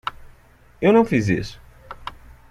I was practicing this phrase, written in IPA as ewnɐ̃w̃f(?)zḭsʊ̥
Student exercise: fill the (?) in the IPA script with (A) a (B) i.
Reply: B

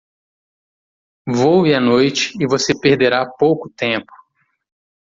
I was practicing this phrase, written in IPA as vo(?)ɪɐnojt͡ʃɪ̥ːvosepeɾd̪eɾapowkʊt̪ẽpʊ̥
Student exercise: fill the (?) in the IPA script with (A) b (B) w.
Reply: B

